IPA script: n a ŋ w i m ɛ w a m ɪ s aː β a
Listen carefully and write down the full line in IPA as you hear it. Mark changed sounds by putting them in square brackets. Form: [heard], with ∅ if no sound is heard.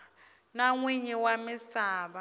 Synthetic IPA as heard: n a ŋ w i [ɲ] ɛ w a m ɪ s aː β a